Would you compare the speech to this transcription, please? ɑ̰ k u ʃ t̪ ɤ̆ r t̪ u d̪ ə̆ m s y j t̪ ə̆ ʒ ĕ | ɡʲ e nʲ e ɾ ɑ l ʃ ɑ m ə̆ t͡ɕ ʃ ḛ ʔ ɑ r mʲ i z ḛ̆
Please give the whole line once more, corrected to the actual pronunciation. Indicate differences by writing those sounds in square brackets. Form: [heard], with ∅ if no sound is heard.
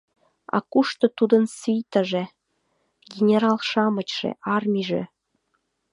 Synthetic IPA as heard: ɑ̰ k u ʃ t̪ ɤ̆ [∅] t̪ u d̪ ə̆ [n] s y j t̪ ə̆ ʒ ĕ | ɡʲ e nʲ e ɾ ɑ l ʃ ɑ m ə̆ t͡ɕ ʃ ḛ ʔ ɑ r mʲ i [ʒ] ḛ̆